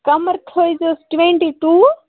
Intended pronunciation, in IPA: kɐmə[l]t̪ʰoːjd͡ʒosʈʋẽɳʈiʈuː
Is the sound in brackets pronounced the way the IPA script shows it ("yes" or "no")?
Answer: no